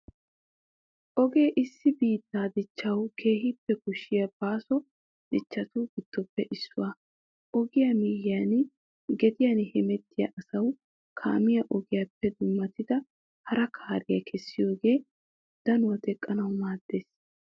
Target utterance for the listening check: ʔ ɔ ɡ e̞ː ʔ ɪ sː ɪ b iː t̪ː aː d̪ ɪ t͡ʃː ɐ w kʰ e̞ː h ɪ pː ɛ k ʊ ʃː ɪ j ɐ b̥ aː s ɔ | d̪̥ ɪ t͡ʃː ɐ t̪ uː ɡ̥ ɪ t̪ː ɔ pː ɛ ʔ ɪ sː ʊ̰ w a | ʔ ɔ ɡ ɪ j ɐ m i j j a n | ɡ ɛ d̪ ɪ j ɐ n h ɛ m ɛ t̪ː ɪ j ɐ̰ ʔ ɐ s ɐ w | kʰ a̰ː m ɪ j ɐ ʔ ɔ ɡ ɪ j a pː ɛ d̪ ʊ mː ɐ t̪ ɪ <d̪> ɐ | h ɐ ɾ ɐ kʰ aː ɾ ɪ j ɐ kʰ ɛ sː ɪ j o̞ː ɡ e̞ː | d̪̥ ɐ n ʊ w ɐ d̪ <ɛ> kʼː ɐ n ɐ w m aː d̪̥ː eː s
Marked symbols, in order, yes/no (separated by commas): yes, yes